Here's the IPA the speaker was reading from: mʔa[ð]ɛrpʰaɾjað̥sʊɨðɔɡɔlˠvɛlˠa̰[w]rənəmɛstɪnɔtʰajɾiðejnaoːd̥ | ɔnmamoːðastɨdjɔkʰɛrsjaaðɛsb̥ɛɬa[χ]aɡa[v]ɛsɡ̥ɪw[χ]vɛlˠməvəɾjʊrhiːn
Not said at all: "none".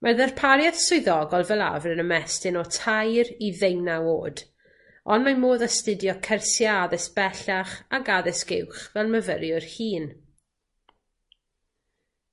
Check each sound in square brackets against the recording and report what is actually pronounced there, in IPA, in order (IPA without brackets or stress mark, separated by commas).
ð, v, χ, ð, χ